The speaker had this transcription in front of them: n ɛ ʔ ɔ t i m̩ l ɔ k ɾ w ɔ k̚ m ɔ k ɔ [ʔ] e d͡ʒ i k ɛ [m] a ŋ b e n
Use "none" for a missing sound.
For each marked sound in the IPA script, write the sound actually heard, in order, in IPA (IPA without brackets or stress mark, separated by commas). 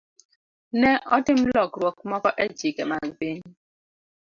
ʔ, m